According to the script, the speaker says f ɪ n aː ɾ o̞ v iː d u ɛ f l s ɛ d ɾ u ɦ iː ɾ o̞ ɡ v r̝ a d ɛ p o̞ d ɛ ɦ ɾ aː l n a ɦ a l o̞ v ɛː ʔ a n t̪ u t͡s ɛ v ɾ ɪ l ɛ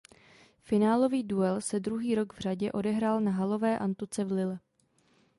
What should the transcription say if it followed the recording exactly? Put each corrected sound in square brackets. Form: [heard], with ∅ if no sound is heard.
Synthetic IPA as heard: f ɪ n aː [l] o̞ v iː d u ɛ [∅] l s ɛ d ɾ u ɦ iː ɾ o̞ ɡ v r̝ a [ɟ] ɛ [ʔ] o̞ d ɛ ɦ ɾ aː l n a ɦ a l o̞ v ɛː ʔ a n t̪ u t͡s ɛ v [l] ɪ l ɛ

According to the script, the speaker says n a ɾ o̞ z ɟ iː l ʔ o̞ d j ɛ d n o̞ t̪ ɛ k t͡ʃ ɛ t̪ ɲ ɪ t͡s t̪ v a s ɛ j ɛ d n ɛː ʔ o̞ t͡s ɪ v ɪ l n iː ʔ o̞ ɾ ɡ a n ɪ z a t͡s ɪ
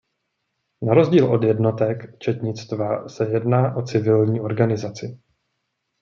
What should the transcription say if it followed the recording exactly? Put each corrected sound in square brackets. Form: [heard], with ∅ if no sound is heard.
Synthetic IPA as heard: n a ɾ o̞ z ɟ iː l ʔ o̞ d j ɛ d n o̞ t̪ ɛ k t͡ʃ ɛ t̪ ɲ ɪ t͡s t̪ v a s ɛ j ɛ d n [aː] ʔ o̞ t͡s ɪ v ɪ l [ɲ] iː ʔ o̞ ɾ ɡ a n ɪ z a t͡s ɪ

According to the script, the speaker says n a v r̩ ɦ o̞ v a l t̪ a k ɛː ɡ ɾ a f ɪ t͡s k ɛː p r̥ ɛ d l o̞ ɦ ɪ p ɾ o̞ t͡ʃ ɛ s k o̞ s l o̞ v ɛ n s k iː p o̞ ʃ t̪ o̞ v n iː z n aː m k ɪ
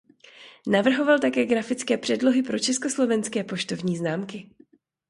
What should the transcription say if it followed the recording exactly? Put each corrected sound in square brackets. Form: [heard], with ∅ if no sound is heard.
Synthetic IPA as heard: n a v r̩ ɦ o̞ v a l t̪ a k ɛː ɡ ɾ a f ɪ t͡s k ɛː p r̥ ɛ d l o̞ ɦ ɪ p ɾ o̞ t͡ʃ ɛ s k o̞ s l o̞ v ɛ n s k [ɛː] p o̞ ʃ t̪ o̞ v [ɲ] iː z n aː m k ɪ

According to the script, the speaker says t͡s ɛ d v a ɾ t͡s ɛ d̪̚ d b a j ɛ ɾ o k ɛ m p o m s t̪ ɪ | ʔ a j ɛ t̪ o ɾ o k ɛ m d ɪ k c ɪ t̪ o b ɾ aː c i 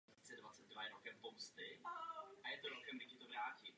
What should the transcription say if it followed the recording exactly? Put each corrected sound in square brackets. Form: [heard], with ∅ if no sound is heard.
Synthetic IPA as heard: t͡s ɛ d v a [∅] t͡s ɛ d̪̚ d [v] a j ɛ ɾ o k ɛ m p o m s t̪ ɪ | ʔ a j ɛ t̪ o ɾ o k ɛ m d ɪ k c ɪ t̪ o [v] ɾ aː c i

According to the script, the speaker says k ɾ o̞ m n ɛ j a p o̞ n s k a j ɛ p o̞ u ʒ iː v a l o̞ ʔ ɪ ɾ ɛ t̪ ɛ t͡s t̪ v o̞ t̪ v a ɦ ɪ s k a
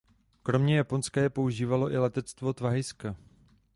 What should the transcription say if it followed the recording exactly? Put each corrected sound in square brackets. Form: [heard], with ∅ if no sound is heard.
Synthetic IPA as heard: k ɾ o̞ m [ɲ] ɛ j a p o̞ n s k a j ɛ p o̞ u ʒ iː v a l o̞ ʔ ɪ [l] ɛ t̪ ɛ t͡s t̪ v o̞ t̪ v a ɦ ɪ s k a

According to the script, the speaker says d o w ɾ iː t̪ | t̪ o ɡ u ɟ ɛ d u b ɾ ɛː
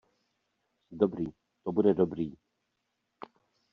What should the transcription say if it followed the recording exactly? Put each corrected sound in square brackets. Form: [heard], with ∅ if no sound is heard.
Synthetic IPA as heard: d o [b] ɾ iː [∅] | t̪ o [b] u [d] ɛ d [o] b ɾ [iː]

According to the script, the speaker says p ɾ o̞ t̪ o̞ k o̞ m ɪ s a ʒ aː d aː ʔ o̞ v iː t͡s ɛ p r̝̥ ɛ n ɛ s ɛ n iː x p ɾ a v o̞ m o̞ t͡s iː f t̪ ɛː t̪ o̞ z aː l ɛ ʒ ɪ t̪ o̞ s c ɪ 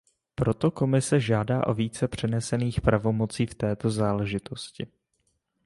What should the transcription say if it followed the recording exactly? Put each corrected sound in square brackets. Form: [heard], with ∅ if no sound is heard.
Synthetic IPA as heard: p ɾ o̞ t̪ o̞ k o̞ m ɪ s [ɛ] ʒ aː d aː ʔ o̞ v iː t͡s ɛ p r̝̥ ɛ n ɛ s ɛ n iː x p ɾ a v o̞ m o̞ t͡s iː f t̪ ɛː t̪ o̞ z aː l ɛ ʒ ɪ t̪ o̞ s c ɪ

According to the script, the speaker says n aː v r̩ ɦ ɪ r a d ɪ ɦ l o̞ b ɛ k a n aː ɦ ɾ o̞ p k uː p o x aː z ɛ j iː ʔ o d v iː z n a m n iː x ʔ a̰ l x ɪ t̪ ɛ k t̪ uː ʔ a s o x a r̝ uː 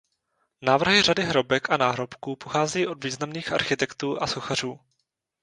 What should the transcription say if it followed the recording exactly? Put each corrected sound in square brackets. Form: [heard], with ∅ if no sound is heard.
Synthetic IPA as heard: n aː v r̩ ɦ ɪ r a d ɪ ɦ [ɾ] o̞ b ɛ k a n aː ɦ ɾ o̞ p k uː p o x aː z ɛ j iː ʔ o d v iː z n a m n iː x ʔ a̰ [ɾ] x ɪ t̪ ɛ k t̪ uː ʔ a s o x a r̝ uː

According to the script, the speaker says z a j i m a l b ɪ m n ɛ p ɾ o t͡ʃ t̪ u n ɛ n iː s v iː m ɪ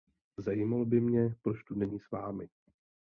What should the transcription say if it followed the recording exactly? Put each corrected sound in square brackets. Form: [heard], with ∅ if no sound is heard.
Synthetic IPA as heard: z a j i m a l b ɪ m [ɲ] ɛ p ɾ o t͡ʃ t̪ u n ɛ [ɲ] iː s v [aː] m ɪ

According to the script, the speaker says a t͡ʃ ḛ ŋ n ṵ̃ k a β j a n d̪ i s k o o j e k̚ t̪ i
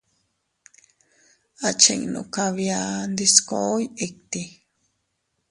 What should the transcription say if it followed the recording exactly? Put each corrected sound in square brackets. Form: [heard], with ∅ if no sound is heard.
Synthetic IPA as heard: a t͡ʃ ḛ ŋ n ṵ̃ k a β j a n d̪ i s k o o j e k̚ t̪ i

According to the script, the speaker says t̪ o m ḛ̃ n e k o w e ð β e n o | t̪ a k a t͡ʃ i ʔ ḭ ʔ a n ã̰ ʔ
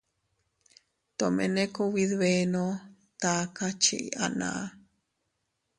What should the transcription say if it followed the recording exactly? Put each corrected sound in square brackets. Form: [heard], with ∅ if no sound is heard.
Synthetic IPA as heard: t̪ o m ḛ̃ n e k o w [i] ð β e n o | t̪ a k a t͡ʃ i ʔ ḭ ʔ a n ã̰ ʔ

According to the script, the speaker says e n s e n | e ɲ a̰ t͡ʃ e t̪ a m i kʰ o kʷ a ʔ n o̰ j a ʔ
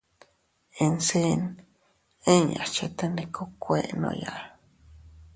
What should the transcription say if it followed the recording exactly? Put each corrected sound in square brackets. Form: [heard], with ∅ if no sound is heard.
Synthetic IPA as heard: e n s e n | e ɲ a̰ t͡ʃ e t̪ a [n] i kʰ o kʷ [e] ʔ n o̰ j a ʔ

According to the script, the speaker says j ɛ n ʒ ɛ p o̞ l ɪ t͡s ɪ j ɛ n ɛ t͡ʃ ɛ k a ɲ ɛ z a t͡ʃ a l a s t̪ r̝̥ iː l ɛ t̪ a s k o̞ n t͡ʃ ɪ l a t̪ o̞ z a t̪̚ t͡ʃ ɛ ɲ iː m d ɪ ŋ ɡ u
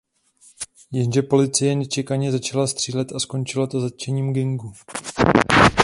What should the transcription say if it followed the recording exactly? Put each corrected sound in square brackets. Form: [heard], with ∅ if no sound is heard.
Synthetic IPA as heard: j ɛ n ʒ ɛ p o̞ l ɪ t͡s ɪ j ɛ n ɛ t͡ʃ ɛ k a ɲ ɛ z a t͡ʃ a l a s t̪ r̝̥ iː l ɛ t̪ a s k o̞ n t͡ʃ ɪ l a t̪ o̞ z a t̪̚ t͡ʃ ɛ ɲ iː m [ɡ] ɪ ŋ ɡ u

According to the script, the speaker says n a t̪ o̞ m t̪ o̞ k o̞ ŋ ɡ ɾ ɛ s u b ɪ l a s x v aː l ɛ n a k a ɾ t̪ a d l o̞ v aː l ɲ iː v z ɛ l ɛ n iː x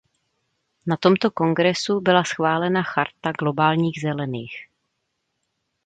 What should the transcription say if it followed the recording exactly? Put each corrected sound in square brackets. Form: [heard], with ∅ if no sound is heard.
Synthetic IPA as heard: n a t̪ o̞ m t̪ o̞ k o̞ ŋ ɡ ɾ ɛ s u b ɪ l a s x v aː l ɛ n a [x] a ɾ t̪ a [ɡ] l o̞ [b] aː l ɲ iː [ɣ] z ɛ l ɛ n iː x

